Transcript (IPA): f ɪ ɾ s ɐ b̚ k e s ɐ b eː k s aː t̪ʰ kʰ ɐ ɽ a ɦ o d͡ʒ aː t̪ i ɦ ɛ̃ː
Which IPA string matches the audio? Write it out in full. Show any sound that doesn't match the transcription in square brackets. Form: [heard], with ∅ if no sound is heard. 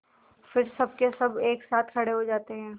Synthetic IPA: f ɪ ɾ s ɐ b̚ k e s ɐ b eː k s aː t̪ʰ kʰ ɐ ɽ [e] ɦ o d͡ʒ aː t̪ [e] ɦ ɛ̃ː